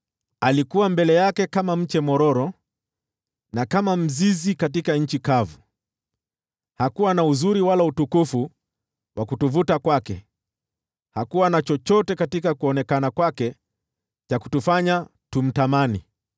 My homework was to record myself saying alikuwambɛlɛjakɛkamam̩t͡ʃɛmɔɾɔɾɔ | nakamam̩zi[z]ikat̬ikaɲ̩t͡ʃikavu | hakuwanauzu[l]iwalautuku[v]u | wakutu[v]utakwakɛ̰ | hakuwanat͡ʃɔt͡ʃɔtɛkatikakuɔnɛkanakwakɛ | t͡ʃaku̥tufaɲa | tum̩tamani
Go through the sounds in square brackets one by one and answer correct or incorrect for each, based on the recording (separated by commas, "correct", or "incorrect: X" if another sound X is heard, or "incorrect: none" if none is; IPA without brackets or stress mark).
correct, incorrect: ɾ, incorrect: f, correct